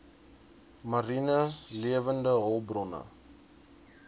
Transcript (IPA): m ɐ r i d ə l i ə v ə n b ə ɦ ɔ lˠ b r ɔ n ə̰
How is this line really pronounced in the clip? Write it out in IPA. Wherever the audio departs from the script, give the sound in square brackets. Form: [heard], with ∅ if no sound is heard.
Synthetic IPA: m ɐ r i [n] ə l i ə v ə n [d] ə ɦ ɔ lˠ b r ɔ n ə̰

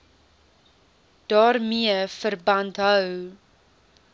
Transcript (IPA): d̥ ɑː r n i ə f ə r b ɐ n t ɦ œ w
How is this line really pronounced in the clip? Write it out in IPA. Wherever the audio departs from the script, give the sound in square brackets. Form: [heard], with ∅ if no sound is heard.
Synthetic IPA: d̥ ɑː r [m] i ə f ə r b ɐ n t ɦ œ w

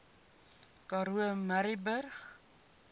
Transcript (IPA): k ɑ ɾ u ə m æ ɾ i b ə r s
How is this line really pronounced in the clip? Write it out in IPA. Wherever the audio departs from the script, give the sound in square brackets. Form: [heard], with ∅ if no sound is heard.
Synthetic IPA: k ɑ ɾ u ə m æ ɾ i b ə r [χ]

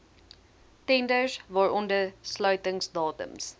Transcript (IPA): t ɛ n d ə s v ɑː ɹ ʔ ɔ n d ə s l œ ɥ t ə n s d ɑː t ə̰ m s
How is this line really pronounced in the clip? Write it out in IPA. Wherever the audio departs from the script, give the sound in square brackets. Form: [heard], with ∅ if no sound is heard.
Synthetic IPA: t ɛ n d ə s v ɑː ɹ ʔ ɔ n d ə s l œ ɥ t ə [ŋ] s d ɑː t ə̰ m s

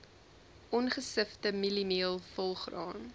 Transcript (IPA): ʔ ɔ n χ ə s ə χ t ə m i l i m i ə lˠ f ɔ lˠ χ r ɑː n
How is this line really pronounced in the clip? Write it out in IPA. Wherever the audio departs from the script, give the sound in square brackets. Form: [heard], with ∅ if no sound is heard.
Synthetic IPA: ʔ ɔ n χ ə s ə [f] t ə m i l i m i ə lˠ f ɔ lˠ χ r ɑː n

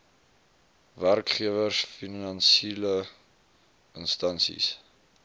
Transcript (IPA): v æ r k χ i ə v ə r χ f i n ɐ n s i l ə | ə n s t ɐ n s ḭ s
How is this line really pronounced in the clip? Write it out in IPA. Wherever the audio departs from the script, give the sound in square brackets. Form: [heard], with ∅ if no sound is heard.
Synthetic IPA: v æ r k χ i ə v ə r [s] f i n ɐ n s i l ə | ə n s t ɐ n s ḭ s

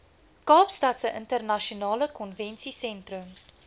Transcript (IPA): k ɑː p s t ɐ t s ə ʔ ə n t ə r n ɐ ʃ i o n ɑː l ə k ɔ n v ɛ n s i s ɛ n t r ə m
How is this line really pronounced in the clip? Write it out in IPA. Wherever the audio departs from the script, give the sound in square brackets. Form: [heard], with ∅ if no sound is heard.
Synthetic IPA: k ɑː p s t ɐ t s ə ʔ ə n t ə r n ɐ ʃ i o n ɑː l ə k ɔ n v ɛ n s i s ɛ n t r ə m

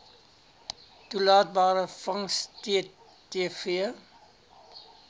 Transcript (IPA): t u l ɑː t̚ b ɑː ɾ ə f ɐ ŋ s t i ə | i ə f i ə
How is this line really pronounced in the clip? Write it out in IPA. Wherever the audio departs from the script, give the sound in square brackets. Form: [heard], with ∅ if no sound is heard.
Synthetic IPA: t u l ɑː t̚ b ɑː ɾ ə f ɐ ŋ s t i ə | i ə f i ə

